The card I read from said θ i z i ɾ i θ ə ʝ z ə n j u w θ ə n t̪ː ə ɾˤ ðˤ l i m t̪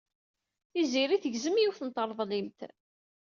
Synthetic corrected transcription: θ i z i ɾ i θ ə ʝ z ə m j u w θ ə n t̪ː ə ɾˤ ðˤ l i m t̪